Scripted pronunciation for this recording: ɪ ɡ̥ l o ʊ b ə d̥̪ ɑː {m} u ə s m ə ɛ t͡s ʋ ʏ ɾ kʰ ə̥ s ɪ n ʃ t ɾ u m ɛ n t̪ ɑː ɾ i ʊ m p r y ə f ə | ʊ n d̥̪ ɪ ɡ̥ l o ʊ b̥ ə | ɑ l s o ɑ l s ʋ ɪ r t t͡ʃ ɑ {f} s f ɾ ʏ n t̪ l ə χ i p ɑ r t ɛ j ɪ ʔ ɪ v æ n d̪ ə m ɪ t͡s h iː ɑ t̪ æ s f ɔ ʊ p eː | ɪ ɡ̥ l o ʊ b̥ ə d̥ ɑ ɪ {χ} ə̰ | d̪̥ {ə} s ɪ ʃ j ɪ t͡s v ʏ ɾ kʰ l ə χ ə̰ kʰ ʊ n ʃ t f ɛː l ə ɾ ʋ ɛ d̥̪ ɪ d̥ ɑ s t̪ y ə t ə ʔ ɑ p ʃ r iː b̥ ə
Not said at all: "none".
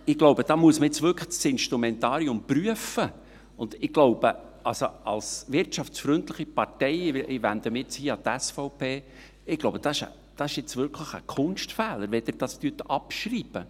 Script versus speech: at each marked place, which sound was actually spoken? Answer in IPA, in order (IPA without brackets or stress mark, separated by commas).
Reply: m, f, ʃ, ɑ